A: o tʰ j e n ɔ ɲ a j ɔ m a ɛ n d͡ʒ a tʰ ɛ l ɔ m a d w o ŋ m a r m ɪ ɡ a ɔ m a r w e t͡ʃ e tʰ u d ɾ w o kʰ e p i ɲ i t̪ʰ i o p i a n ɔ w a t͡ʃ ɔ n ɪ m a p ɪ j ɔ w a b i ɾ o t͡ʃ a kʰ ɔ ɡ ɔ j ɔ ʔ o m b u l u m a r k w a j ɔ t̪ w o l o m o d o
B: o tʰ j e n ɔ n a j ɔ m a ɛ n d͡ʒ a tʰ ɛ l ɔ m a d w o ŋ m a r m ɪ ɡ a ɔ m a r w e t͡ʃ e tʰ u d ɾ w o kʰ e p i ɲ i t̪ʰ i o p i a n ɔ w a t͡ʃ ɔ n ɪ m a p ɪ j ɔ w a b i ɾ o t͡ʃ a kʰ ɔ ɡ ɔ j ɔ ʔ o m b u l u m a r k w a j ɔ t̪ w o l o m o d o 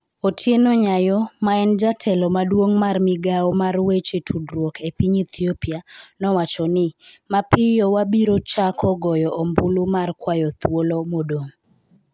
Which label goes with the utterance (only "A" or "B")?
A